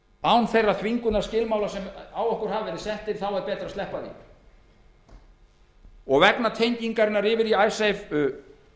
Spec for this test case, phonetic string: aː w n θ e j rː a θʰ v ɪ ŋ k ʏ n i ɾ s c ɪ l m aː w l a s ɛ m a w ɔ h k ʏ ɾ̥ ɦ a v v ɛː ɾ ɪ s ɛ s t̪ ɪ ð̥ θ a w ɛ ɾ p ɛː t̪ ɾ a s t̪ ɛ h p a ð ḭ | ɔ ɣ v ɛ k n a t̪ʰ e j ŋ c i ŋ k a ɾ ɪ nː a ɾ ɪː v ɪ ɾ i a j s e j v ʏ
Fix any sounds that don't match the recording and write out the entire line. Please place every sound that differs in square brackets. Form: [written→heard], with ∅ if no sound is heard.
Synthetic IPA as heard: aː w n θ e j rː a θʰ v [ɪ→i] ŋ k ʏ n [i→a] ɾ s c ɪ l m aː w l a s ɛ m a w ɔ h k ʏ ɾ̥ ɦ a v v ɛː ɾ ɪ s ɛ [s→h] t̪ ɪ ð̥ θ a w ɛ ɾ p ɛː t̪ ɾ a s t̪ ɛ h p a ð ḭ | ɔ ɣ v ɛ k n a t̪ʰ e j [ŋ→ɲ] c i ŋ k a ɾ ɪ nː a ɾ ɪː v ɪ ɾ i a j s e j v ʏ